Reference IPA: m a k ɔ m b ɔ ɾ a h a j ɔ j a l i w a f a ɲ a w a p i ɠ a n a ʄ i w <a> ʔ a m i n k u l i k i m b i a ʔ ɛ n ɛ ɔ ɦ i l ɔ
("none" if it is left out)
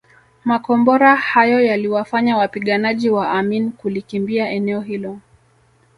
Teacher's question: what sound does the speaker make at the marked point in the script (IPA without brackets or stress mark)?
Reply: a